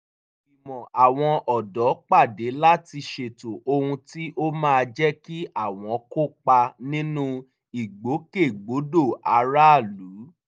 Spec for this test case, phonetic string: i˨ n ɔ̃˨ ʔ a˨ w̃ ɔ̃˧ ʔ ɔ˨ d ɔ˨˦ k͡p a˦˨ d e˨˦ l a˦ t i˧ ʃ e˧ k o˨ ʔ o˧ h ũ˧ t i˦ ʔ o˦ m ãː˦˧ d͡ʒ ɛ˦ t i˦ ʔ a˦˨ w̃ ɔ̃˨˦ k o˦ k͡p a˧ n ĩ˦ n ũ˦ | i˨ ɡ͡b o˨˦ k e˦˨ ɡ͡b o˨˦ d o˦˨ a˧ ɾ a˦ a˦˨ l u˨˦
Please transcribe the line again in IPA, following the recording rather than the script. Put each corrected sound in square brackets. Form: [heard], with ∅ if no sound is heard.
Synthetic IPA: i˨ [m] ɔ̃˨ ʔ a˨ w̃ ɔ̃˧ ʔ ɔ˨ d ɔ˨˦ k͡p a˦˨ d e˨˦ l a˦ t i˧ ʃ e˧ [t] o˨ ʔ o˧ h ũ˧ t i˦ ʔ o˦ m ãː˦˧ d͡ʒ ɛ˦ [k] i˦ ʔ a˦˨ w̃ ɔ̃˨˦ k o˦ k͡p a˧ n ĩ˦ n ũ˦ | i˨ ɡ͡b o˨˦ k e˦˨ ɡ͡b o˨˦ d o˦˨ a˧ ɾ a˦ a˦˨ l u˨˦